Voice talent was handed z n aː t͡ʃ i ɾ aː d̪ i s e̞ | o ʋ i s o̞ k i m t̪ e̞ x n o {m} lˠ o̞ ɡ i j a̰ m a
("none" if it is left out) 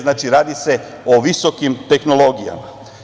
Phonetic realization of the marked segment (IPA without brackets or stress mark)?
none